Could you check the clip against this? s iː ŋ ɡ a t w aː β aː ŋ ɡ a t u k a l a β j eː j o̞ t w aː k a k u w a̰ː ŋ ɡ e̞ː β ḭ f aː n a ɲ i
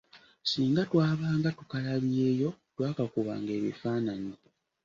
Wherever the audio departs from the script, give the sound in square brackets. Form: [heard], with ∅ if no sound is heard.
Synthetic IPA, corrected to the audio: s iː ŋ ɡ a t w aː β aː ŋ ɡ a t u k a l a β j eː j o̞ t w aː k a k u [β] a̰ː ŋ ɡ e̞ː β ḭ f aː n a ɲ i